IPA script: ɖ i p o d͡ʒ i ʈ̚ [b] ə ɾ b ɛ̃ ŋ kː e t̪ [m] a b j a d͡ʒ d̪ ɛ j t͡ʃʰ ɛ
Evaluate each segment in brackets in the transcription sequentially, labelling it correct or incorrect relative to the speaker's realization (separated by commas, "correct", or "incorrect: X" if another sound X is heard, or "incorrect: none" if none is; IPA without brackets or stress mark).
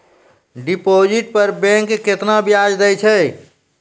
incorrect: p, incorrect: n